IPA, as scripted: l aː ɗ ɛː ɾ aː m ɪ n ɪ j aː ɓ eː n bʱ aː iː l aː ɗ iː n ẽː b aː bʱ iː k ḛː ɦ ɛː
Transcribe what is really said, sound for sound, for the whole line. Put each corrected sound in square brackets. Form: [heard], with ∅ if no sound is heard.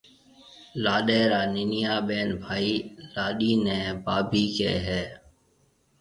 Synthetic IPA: l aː ɗ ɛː ɾ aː [n] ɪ n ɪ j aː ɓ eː n bʱ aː iː l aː ɗ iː n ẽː b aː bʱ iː k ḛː ɦ ɛː

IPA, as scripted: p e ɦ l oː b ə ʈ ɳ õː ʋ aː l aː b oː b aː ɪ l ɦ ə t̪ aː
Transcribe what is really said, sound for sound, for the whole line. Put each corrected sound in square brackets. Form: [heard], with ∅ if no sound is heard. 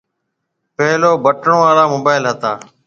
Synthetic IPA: p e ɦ l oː b ə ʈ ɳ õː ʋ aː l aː [m] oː b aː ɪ l ɦ ə t̪ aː

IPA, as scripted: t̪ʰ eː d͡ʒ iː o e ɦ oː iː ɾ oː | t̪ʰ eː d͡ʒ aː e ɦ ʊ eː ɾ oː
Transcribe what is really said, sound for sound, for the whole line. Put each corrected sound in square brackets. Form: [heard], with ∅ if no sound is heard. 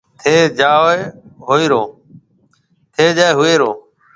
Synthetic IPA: t̪ʰ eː d͡ʒ [aː] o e ɦ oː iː ɾ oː | t̪ʰ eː d͡ʒ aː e ɦ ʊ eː ɾ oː

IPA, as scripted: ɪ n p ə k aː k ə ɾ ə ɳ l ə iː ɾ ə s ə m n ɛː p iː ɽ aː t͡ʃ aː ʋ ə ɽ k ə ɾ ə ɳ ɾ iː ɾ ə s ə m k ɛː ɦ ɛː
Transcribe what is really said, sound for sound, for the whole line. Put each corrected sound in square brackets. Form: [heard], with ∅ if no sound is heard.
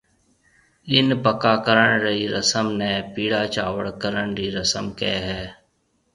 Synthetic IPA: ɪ n p ə k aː k ə ɾ ə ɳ [ɾ] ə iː ɾ ə s ə m n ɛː p iː ɽ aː t͡ʃ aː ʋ ə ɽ k ə ɾ ə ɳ ɾ iː ɾ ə s ə m k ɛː ɦ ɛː

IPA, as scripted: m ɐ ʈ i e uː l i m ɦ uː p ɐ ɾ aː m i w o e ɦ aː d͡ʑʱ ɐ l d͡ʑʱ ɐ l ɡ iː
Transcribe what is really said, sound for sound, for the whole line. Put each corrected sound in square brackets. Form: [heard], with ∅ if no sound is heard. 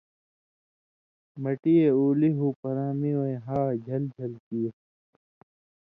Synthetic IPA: m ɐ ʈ i e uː l i [∅] ɦ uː p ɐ ɾ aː m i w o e ɦ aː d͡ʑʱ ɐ l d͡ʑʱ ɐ l [k] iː

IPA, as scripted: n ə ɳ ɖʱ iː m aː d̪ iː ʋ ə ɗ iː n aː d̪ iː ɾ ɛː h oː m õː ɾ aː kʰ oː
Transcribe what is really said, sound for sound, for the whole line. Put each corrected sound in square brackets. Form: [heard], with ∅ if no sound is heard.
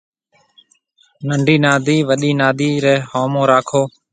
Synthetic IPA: n ə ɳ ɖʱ iː [n] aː d̪ iː ʋ ə ɗ iː n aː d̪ iː ɾ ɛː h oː m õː ɾ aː kʰ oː

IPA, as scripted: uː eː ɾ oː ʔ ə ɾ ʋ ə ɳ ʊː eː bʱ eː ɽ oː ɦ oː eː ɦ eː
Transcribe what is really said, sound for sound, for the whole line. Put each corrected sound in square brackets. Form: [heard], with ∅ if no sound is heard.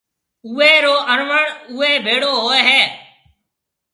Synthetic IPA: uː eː ɾ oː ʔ ə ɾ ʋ ə ɳ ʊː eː bʱ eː ɽ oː ɦ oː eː ɦ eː

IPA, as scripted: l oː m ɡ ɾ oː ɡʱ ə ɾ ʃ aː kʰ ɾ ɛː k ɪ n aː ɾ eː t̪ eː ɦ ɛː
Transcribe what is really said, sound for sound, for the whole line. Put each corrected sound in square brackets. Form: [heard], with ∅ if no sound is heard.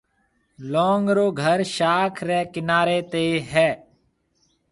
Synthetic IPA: l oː [ŋ] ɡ ɾ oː ɡʱ ə ɾ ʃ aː kʰ ɾ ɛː k ɪ n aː ɾ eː t̪ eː ɦ ɛː

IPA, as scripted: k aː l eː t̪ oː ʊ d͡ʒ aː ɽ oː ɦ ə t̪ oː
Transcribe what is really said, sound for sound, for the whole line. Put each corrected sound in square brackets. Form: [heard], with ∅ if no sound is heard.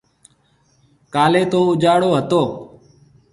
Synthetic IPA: k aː l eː t̪ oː ʊ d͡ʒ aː ɽ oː ɦ ə t̪ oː

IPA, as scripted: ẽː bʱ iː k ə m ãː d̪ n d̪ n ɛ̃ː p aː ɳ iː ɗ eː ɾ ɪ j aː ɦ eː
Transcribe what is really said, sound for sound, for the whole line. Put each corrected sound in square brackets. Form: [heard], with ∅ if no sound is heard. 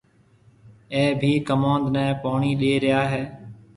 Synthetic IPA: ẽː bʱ iː k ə m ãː [∅] n d̪ n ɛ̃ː p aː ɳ iː ɗ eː ɾ ɪ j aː ɦ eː

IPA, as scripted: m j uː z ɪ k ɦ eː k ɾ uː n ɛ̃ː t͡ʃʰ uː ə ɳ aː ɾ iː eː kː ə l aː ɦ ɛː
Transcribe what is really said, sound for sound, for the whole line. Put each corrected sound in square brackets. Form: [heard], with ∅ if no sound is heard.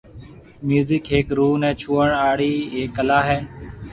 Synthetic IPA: m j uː z ɪ k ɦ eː k ɾ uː n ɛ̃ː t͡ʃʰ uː ə ɳ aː [ɽ] iː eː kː ə l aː ɦ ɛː

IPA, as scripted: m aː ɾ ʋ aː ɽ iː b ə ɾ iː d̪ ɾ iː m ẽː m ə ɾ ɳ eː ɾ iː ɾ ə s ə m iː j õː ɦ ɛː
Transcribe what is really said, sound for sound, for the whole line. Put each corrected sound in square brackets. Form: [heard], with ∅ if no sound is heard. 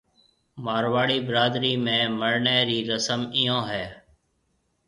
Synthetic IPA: m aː ɾ ʋ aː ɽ iː b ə ɾ [aː] d̪ ɾ iː m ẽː m ə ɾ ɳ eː ɾ iː ɾ ə s ə m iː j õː ɦ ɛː

